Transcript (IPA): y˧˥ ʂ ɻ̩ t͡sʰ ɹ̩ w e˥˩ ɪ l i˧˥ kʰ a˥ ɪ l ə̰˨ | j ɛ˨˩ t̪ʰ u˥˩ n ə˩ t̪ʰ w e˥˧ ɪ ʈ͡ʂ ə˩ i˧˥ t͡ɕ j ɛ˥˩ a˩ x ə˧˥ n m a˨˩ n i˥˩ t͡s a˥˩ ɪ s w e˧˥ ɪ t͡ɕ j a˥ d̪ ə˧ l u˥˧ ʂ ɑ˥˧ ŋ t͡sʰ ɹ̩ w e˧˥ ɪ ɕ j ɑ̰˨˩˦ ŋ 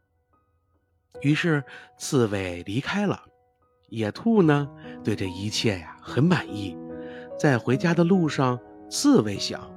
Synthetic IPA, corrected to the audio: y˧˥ ʂ ɻ̩ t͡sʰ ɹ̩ w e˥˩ ɪ l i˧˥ kʰ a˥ ɪ l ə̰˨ | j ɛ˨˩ t̪ʰ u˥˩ n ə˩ t̪ w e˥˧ ɪ ʈ͡ʂ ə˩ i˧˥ t͡ɕʰ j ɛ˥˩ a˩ x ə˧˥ n m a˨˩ n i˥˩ t͡s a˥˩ ɪ x w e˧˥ ɪ t͡ɕ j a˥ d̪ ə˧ l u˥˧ ʂ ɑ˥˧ ŋ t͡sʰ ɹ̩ w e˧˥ ɪ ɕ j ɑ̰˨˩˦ ŋ